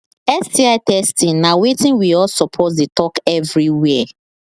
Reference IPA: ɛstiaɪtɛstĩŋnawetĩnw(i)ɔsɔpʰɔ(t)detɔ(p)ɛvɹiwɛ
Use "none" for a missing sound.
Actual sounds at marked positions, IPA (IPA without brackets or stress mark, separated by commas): i, t, k